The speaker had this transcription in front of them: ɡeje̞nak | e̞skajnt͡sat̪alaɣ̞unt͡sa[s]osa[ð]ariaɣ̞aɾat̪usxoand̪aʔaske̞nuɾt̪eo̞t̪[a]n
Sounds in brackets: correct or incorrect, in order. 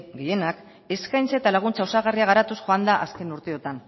incorrect, incorrect, correct

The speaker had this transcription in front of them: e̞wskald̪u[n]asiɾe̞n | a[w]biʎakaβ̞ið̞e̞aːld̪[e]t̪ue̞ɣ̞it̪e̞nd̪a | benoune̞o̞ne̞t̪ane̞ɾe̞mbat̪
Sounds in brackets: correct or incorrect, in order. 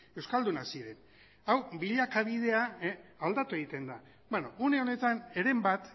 correct, correct, incorrect

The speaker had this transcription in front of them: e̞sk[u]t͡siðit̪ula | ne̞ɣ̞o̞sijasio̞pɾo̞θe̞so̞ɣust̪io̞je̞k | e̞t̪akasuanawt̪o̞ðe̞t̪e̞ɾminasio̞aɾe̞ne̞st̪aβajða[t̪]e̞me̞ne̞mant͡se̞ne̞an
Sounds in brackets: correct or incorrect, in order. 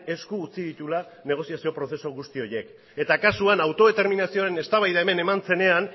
incorrect, incorrect

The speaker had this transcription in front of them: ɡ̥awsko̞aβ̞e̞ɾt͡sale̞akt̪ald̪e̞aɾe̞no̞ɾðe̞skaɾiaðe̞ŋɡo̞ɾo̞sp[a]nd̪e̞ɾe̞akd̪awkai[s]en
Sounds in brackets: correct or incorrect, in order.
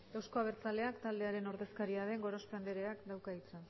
correct, incorrect

